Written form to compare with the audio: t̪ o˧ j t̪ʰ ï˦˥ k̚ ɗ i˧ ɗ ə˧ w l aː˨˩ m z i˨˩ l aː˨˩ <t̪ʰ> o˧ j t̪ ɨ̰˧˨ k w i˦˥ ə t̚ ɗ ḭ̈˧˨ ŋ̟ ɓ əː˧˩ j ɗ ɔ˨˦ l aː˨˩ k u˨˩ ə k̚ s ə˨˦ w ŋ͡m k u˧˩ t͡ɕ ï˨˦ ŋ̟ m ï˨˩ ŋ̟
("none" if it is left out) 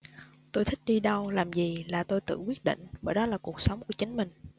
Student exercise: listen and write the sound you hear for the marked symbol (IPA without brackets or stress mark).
t̪